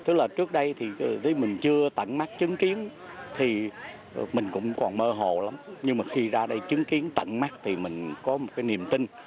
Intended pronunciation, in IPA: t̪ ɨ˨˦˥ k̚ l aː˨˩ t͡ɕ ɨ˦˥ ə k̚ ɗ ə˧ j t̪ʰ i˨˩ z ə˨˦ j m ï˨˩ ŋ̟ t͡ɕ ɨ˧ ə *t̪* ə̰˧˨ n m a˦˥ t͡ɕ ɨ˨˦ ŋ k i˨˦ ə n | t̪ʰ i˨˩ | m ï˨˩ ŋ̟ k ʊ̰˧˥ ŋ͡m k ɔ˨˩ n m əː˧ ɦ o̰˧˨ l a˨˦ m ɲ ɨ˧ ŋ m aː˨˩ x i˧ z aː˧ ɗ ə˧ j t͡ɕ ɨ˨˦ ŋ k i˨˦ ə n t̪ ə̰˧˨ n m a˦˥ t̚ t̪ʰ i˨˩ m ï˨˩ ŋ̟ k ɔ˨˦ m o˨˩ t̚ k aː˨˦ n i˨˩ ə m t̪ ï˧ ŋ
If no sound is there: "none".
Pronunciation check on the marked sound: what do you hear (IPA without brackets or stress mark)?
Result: t̪